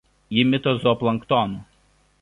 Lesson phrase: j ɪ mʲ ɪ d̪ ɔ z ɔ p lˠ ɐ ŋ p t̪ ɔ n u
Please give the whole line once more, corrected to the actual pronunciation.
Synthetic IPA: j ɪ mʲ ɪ t̪ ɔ z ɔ p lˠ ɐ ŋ k t̪ ɔ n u